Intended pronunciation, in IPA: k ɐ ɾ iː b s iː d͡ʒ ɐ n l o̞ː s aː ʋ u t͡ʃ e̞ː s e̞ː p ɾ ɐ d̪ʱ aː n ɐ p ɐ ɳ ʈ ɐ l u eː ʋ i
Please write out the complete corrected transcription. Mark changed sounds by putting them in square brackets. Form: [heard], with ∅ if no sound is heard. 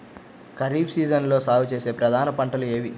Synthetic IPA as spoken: k ɐ ɾ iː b s iː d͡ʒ ɐ n l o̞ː s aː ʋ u t͡ʃ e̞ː s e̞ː p ɾ ɐ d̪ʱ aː n ɐ p ɐ ɳ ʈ ɐ l u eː ʋ i